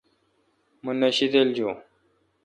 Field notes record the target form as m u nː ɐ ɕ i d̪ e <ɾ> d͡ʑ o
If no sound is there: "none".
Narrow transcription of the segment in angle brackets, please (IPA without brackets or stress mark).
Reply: l